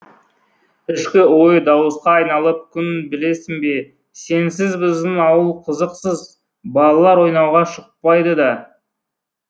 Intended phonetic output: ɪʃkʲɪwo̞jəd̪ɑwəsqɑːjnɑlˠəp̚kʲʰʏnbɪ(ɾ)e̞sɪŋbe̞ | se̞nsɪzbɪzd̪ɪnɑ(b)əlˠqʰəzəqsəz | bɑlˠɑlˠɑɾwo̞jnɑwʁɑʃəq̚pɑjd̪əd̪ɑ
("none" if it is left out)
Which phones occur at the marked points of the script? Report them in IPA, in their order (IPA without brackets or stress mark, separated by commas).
l, w